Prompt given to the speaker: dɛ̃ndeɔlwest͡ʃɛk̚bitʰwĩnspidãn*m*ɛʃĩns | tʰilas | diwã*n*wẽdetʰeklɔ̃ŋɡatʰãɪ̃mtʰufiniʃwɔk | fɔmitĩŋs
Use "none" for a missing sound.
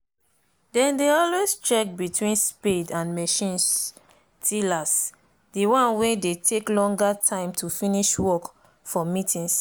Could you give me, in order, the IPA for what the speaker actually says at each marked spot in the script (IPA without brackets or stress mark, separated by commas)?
m, n